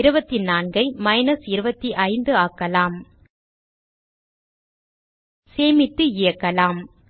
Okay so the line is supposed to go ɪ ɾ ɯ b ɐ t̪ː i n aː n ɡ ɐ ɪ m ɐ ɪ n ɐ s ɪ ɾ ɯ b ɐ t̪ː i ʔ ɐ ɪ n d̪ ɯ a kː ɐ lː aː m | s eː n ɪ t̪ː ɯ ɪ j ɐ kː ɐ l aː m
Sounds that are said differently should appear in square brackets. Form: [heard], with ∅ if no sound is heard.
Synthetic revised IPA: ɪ ɾ ɯ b ɐ t̪ː i n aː n ɡ ɐ ɪ m ɐ ɪ n ɐ s ɪ ɾ ɯ b ɐ t̪ː i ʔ ɐ ɪ n d̪ ɯ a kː ɐ [l] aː m | s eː [m] ɪ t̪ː ɯ ɪ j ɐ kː ɐ l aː m